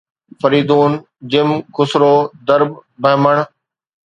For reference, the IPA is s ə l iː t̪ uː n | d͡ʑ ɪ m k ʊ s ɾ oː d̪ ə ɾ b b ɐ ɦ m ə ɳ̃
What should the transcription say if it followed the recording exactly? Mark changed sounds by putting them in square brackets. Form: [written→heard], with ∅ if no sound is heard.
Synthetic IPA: [s→f] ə [l→ɾ] iː [t̪→d̪] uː n | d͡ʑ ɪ m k ʊ s ɾ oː d̪ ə ɾ b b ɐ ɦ m ə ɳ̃

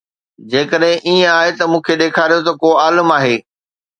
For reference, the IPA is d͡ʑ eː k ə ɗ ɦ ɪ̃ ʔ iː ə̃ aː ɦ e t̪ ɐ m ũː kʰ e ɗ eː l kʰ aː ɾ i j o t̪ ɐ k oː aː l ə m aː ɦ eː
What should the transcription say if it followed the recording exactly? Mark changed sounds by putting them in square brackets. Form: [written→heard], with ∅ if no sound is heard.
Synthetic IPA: d͡ʑ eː k ə ɗ ɦ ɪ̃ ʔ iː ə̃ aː ɦ e t̪ ɐ m ũː kʰ e ɗ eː [l→∅] kʰ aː ɾ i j o t̪ ɐ k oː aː l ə m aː ɦ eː

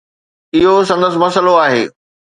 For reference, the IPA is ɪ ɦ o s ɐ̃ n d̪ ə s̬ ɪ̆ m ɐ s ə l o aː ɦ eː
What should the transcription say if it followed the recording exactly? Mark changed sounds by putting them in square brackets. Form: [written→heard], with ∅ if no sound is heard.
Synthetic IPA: ɪ ɦ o s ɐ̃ n d̪ ə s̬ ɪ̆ m ɐ s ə l o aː ɦ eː

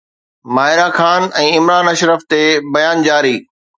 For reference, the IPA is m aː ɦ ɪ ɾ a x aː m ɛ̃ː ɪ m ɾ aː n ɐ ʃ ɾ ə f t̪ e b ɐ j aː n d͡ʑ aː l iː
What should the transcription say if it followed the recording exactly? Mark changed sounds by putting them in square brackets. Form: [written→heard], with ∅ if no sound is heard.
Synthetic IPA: m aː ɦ ɪ ɾ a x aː [m→n] ɛ̃ː ɪ m ɾ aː n ɐ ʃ ɾ ə f t̪ e b ɐ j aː n d͡ʑ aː [l→ɾ] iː

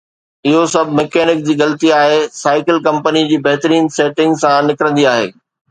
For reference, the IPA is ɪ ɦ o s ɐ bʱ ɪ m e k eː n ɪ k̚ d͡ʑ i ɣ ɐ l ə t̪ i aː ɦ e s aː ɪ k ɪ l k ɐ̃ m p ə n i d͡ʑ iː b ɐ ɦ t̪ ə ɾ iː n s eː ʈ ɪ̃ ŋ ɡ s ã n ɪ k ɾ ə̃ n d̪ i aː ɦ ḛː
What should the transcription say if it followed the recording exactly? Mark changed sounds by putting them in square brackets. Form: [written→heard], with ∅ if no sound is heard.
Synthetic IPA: ɪ ɦ o s ɐ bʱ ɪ m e k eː n ɪ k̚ d͡ʑ [i→iː] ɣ ɐ l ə t̪ i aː ɦ e s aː ɪ k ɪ l k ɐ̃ m p ə n i d͡ʑ iː b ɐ ɦ t̪ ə ɾ iː n s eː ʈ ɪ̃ ŋ ɡ s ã n ɪ k ɾ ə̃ n d̪ i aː ɦ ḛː

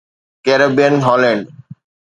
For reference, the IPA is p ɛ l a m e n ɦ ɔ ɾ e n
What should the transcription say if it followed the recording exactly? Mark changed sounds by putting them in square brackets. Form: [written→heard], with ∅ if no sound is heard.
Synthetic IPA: [p→k] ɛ [l→ɾ] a [m→b] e n ɦ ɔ [ɾ→l] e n

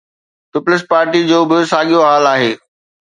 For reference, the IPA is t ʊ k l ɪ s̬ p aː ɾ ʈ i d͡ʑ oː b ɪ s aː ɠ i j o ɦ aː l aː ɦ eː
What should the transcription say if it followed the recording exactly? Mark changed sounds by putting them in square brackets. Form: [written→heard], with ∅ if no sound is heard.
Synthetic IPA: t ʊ [k→p] l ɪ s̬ p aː ɾ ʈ i d͡ʑ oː b ɪ s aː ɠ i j o ɦ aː l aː ɦ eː

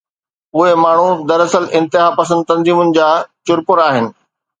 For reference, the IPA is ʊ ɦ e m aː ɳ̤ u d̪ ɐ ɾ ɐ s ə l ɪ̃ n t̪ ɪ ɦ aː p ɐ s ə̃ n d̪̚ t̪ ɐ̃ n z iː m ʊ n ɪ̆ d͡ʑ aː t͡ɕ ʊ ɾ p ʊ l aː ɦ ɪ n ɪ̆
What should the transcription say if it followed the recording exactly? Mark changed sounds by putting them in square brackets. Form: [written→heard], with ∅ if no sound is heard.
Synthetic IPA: ʊ ɦ e m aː ɳ̤ u d̪ ɐ ɾ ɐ s ə l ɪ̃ n t̪ ɪ ɦ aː p ɐ s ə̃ n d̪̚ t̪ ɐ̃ n z iː m ʊ n ɪ̆ d͡ʑ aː t͡ɕ ʊ ɾ p ʊ [l→ɾ] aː ɦ ɪ n ɪ̆

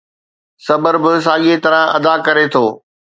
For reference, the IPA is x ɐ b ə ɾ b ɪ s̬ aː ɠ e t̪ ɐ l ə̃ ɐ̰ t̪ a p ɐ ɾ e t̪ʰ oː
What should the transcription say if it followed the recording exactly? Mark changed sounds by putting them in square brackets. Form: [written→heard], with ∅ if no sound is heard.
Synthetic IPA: [x→s] ɐ b ə ɾ b ɪ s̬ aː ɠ e t̪ ɐ [l→ɾ] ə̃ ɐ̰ [t̪→d̪] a [p→k] ɐ ɾ e t̪ʰ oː

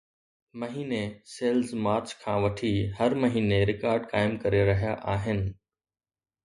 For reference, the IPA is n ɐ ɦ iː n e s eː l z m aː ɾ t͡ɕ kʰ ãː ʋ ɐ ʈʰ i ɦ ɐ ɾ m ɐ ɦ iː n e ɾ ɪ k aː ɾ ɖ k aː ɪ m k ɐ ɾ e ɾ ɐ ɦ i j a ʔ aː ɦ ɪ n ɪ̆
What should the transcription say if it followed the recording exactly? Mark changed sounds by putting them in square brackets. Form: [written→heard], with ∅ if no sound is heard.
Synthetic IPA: [n→m] ɐ ɦ iː n e s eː l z m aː ɾ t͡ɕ kʰ ãː ʋ ɐ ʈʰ i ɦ ɐ ɾ m ɐ ɦ iː n e ɾ ɪ k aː ɾ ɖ k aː ɪ m k ɐ ɾ e ɾ ɐ ɦ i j a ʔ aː ɦ ɪ n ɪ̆

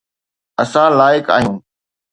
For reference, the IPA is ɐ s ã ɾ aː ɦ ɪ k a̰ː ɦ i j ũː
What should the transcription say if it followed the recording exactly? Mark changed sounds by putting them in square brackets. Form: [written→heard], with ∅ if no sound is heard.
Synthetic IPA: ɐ s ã [ɾ→l] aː [ɦ→∅] ɪ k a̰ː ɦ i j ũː

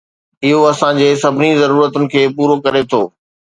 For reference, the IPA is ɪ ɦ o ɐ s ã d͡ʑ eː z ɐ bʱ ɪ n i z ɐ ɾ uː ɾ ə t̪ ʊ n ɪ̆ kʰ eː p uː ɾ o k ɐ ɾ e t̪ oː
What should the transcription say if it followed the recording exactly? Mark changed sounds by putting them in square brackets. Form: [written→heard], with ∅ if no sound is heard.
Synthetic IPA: ɪ ɦ o ɐ s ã d͡ʑ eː [z→s] ɐ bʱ ɪ n i z ɐ ɾ uː ɾ ə t̪ ʊ n ɪ̆ kʰ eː p uː ɾ o k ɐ ɾ e [t̪→t̪ʰ] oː

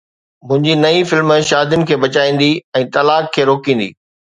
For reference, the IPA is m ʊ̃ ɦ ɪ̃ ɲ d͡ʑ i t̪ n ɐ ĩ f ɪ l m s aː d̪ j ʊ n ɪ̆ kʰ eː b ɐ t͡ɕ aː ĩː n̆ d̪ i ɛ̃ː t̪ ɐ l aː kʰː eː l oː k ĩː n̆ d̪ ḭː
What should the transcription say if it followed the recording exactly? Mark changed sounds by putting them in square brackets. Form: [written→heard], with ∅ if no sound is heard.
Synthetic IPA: m ʊ̃ ɦ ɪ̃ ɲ d͡ʑ i [t̪→∅] n ɐ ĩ f ɪ l m [s→ʃ] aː d̪ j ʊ n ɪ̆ kʰ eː b ɐ t͡ɕ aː ĩː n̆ d̪ i ɛ̃ː t̪ ɐ l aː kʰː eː [l→ɾ] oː k ĩː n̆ d̪ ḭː

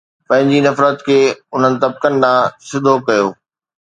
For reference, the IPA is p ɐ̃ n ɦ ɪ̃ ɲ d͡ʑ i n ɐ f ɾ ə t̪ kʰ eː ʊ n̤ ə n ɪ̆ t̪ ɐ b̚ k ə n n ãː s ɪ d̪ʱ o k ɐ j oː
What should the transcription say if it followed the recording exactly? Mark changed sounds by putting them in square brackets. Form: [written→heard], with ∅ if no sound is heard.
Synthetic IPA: p ɐ̃ [n→∅] ɦ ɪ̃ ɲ d͡ʑ i n ɐ f ɾ ə t̪ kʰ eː ʊ n̤ ə n ɪ̆ t̪ ɐ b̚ k ə n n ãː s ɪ d̪ʱ o k ɐ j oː

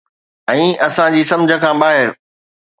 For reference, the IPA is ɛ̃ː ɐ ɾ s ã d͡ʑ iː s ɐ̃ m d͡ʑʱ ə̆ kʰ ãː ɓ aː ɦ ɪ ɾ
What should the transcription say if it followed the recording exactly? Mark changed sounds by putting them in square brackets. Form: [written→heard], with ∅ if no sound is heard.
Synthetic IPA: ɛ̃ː ɐ [ɾ→∅] s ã d͡ʑ iː s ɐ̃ m d͡ʑʱ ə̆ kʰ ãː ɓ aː ɦ ɪ ɾ

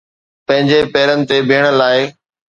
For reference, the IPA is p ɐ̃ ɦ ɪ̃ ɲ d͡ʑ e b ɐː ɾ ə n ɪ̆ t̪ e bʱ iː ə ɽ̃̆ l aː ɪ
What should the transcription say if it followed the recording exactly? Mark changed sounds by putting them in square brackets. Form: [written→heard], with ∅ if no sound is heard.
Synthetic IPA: p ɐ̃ ɦ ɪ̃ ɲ d͡ʑ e [b→p] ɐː ɾ ə n ɪ̆ t̪ e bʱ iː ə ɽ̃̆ l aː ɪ

